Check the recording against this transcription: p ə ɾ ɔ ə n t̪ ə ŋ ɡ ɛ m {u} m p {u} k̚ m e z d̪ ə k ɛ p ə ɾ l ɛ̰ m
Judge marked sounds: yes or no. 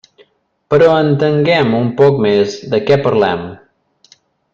yes, no

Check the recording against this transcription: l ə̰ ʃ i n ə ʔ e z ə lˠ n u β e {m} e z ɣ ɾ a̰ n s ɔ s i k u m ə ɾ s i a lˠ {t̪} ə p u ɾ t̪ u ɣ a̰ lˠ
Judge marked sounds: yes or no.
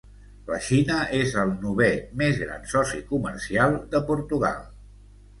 yes, no

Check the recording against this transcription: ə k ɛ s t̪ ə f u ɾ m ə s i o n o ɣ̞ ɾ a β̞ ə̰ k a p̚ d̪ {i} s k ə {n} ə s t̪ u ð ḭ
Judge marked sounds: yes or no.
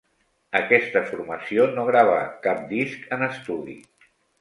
yes, yes

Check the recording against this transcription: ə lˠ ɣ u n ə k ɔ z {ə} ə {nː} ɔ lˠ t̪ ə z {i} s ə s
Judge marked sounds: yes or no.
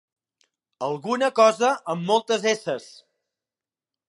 yes, no, no

